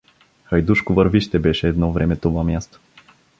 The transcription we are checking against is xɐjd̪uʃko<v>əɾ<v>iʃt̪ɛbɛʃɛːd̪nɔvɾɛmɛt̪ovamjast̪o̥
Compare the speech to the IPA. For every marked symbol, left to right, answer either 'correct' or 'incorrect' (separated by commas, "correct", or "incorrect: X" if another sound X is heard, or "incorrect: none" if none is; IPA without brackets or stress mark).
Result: correct, correct